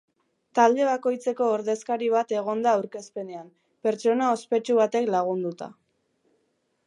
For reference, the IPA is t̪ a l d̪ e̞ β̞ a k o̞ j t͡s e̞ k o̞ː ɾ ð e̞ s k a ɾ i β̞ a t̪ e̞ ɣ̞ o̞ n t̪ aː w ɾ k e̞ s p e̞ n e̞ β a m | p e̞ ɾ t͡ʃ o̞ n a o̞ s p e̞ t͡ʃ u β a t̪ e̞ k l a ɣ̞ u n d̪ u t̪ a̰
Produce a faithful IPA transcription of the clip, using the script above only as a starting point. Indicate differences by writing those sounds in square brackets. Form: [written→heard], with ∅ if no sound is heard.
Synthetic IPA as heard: t̪ a l d̪ e̞ β̞ a k o̞ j t͡s e̞ k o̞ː ɾ ð e̞ s k a ɾ i β̞ a t̪ e̞ ɣ̞ o̞ n [t̪→d̪] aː w ɾ k e̞ s p e̞ n e̞ [β→∅] a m | p e̞ ɾ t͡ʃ o̞ n a o̞ s p e̞ t͡ʃ u β a t̪ e̞ k l a ɣ̞ u n d̪ u t̪ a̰